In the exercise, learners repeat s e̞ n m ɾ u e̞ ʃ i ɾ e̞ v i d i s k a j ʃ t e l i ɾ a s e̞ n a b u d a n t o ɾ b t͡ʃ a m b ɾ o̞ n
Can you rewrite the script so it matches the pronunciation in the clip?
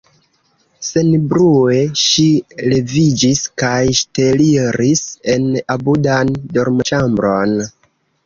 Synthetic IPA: s e̞ n b ɾ u e̞ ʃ i l e̞ v i d͡ʒ i s k a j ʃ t e l i ɾ i s e̞ n a b u d a n d o ɾ m t͡ʃ a m b ɾ o̞ n